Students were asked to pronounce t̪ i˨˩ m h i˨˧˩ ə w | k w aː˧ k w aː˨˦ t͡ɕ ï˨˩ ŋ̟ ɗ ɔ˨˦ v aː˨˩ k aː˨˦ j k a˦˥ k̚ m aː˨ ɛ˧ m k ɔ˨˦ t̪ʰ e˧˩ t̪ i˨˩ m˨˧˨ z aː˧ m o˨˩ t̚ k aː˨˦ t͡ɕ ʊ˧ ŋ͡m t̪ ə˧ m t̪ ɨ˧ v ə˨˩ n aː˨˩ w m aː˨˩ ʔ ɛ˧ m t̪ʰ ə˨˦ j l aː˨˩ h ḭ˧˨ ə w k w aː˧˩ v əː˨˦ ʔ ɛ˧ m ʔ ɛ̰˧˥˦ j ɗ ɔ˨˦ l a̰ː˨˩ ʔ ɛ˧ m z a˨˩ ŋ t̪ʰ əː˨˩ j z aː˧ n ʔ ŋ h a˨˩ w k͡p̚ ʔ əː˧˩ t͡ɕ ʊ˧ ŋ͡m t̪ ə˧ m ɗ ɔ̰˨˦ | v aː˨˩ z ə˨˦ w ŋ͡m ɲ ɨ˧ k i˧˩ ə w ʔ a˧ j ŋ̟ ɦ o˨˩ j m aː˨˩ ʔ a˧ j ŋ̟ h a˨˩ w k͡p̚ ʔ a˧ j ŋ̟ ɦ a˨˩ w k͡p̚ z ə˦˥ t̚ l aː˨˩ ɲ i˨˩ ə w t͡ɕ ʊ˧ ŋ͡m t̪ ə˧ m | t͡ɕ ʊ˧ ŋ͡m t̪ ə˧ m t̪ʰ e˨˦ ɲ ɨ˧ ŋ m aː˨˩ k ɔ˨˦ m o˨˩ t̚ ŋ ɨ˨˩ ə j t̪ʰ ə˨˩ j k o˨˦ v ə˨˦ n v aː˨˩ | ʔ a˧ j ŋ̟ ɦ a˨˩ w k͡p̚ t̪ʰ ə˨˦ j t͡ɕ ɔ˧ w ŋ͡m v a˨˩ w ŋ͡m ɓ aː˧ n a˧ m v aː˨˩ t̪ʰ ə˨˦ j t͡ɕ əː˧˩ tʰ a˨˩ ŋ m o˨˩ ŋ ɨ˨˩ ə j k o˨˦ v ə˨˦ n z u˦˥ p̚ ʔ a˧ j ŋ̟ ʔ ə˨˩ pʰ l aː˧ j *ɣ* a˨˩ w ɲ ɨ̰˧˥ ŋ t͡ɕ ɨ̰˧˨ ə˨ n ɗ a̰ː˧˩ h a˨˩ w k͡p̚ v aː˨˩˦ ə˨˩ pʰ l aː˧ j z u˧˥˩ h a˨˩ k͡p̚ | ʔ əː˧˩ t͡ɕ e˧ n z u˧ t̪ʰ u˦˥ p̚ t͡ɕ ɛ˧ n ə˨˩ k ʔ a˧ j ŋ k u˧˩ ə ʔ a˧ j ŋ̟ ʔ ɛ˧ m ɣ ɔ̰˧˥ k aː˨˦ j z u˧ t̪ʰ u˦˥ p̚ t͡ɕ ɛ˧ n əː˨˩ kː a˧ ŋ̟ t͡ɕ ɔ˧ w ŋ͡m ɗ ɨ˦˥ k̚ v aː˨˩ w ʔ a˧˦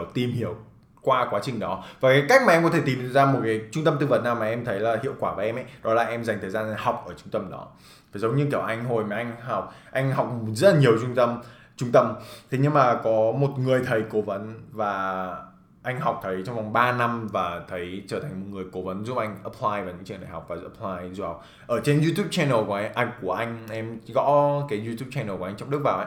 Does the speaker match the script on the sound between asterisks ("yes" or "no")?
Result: no